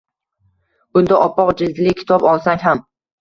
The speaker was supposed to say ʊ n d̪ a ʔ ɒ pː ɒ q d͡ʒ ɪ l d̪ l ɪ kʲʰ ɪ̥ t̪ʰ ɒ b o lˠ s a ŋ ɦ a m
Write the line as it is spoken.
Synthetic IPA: ʊ n d̪ a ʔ ɒ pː ɒ q d͡ʒ ɪ l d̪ l ɪ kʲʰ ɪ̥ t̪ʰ ɒ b ɒ lˠ s a ŋ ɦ a m

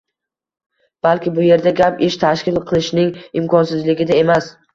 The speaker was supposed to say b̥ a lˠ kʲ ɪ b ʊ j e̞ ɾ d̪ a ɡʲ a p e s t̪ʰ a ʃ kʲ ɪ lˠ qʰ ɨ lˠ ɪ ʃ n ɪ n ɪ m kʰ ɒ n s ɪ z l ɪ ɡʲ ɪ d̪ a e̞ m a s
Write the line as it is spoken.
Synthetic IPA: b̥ a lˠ kʲ ɪ b ʊ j e̞ ɾ d̪ a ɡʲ a p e ʃ t̪ʰ a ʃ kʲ ɪ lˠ qʰ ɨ lˠ ɪ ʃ n ɪ ŋ ɪ m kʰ ɒ n s ɪ z l ɪ ɡʲ ɪ d̪ a e̞ m a s

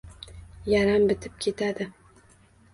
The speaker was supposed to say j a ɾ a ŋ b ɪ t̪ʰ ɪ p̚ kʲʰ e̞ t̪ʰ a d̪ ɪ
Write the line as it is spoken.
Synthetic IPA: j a ɾ a m b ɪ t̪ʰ ɪ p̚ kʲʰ e̞ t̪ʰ a d̪ ɪ

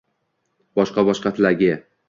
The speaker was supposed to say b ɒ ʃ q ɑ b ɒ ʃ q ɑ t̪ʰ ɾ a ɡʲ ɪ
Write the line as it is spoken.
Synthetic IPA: b ɒ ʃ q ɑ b ɒ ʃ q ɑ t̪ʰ l a ɡʲ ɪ

